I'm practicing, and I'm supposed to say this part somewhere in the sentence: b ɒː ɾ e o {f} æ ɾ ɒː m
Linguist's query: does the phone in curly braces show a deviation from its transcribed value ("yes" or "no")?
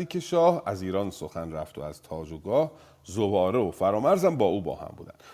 no